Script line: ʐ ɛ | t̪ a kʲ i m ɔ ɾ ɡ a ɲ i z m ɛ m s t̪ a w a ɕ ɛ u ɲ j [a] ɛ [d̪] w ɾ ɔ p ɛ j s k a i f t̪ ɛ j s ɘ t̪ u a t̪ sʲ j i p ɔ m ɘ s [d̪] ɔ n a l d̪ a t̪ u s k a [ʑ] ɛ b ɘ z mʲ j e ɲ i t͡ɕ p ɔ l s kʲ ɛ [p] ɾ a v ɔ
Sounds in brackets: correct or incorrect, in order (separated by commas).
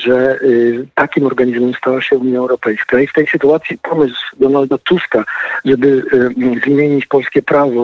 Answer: correct, incorrect, correct, incorrect, correct